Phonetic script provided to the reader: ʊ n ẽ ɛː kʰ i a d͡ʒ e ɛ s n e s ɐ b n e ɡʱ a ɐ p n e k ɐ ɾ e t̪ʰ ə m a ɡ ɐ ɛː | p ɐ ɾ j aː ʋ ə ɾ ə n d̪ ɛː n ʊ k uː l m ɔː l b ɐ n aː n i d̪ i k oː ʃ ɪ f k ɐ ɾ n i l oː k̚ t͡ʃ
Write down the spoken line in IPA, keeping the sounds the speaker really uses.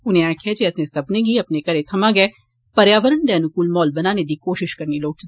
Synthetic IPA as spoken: ʊ n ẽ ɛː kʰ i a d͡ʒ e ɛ s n e s ɐ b n e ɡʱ i ɐ p n e k ɐ ɾ e t̪ʰ ɐ m a ɡ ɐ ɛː | p ɐ ɾ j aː ʋ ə ɾ ə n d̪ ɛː n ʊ k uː l m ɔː l b ɐ n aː n e d̪ i k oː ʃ ɪ ʃ k ɐ ɾ n i l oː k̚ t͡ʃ